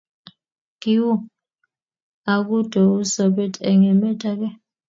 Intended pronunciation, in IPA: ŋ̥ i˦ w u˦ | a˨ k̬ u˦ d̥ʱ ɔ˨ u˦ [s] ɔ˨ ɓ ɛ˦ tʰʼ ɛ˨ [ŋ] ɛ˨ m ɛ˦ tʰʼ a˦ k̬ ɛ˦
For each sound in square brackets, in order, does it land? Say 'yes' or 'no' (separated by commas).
yes, yes